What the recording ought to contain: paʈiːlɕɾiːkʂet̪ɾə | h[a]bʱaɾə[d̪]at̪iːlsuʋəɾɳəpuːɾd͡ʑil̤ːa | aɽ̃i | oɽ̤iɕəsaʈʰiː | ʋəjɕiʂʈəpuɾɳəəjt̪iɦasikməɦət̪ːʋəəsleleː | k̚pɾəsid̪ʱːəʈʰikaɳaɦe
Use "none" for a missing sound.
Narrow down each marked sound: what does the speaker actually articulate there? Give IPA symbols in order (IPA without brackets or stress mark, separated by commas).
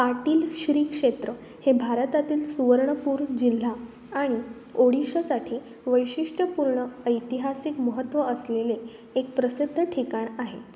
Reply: e, t̪